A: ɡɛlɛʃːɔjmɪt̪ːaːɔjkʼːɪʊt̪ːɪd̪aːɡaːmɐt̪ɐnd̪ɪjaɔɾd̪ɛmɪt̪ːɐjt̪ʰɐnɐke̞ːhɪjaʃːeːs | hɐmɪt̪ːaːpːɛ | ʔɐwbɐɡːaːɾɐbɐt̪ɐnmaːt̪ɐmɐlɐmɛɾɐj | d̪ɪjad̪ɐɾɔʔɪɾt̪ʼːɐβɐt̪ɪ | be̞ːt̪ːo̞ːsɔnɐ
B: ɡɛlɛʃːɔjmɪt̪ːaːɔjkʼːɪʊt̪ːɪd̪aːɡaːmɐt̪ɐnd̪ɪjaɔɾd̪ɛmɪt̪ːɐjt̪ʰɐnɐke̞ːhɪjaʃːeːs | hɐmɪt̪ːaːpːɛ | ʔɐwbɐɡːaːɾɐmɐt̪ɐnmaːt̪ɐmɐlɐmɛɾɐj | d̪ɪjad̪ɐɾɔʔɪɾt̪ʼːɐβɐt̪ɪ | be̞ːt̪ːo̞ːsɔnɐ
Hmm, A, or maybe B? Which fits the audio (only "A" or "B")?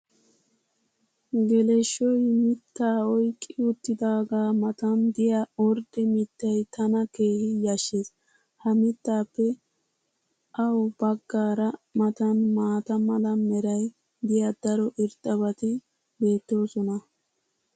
B